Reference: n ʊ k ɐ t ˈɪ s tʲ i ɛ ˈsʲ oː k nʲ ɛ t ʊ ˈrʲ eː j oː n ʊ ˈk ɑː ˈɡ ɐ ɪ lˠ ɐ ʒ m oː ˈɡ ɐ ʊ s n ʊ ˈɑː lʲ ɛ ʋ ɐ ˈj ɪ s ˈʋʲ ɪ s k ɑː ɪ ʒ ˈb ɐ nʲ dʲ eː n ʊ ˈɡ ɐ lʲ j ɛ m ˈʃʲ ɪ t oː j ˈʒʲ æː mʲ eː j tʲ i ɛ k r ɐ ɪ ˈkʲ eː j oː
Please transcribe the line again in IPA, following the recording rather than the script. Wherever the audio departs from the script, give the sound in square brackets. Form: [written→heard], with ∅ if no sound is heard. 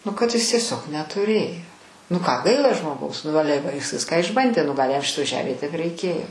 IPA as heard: n ʊ k ɐ t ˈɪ s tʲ i ɛ ˈsʲ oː k nʲ ɛ t ʊ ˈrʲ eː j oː n ʊ ˈk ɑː ˈɡ ɐ ɪ lˠ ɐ ʒ m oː ˈɡ ɐ ʊ s n ʊ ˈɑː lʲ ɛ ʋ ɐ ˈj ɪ s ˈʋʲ ɪ s k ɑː ɪ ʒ ˈb ɐ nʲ dʲ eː n ʊ ˈɡ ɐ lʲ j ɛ m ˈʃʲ ɪ t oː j ˈʒʲ æː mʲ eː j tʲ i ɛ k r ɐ ɪ ˈkʲ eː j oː